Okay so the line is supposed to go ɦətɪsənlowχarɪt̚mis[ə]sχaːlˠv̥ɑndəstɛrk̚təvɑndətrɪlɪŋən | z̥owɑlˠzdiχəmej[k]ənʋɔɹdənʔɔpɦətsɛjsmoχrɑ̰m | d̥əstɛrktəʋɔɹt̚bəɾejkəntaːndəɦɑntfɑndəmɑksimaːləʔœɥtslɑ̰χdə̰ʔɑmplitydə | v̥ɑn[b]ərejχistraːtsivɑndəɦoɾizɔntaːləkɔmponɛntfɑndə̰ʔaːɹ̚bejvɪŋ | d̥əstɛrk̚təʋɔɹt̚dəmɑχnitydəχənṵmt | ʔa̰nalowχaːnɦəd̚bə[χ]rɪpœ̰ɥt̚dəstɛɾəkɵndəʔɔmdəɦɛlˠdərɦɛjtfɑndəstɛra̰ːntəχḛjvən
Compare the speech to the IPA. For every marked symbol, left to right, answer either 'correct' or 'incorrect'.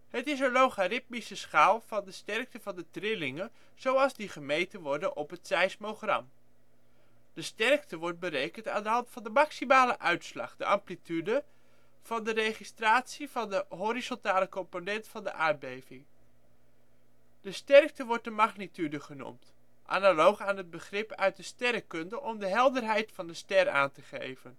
correct, incorrect, incorrect, correct

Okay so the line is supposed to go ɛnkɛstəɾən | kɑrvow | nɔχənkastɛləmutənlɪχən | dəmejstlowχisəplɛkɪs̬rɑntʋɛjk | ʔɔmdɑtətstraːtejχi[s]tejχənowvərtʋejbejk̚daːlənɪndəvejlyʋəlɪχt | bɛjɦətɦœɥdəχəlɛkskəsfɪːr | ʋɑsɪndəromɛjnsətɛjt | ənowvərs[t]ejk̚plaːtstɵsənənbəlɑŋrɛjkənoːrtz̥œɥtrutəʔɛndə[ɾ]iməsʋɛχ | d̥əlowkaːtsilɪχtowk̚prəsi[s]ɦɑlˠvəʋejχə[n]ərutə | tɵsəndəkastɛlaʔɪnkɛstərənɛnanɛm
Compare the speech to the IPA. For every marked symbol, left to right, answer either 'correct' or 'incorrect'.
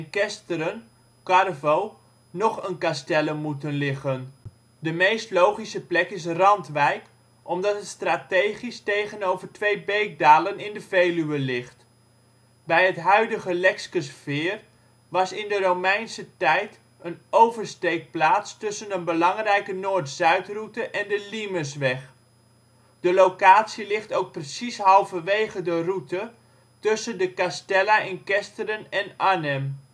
correct, correct, incorrect, correct, incorrect

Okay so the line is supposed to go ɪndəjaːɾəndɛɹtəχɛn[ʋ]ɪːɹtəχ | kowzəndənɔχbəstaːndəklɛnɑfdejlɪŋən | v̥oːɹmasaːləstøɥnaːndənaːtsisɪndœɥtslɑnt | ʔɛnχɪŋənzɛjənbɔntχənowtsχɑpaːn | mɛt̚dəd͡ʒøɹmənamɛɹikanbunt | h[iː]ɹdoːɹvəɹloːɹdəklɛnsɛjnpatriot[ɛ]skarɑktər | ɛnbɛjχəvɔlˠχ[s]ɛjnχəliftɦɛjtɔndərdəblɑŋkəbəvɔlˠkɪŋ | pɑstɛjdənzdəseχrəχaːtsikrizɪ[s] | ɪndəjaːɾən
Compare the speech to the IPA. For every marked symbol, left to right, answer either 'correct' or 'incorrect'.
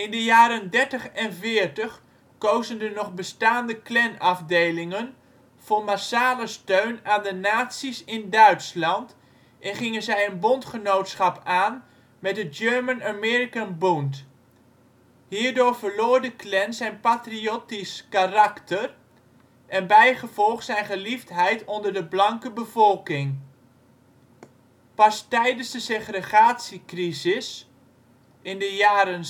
incorrect, correct, incorrect, correct, correct

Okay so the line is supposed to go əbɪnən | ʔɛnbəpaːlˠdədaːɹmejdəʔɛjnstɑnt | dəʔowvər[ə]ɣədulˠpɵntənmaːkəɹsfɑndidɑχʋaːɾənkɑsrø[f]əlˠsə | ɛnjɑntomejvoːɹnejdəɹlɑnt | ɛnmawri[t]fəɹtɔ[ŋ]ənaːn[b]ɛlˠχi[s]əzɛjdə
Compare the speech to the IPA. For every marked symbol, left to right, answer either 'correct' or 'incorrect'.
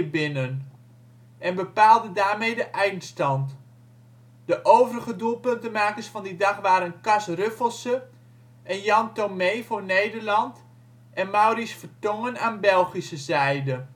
correct, correct, incorrect, correct, correct, correct

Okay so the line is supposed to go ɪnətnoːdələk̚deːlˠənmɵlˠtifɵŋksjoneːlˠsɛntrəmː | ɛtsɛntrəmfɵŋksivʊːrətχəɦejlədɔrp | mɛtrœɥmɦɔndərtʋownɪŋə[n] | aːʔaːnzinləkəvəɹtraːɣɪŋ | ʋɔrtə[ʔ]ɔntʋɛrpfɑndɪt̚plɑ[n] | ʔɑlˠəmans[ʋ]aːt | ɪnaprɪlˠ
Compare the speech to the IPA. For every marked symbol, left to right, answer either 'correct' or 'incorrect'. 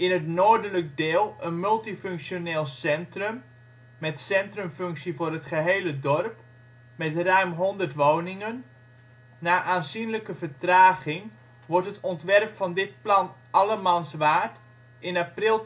incorrect, incorrect, correct, correct

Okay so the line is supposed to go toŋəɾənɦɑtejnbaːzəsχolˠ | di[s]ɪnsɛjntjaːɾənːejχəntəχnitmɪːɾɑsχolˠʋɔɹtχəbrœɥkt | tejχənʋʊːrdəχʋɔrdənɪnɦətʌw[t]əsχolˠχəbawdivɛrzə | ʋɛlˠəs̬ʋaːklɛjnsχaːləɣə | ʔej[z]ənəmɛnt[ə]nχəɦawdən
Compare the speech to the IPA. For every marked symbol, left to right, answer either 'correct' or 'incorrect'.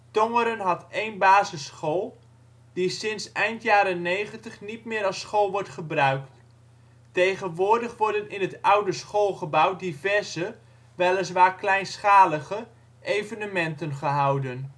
correct, incorrect, incorrect, correct

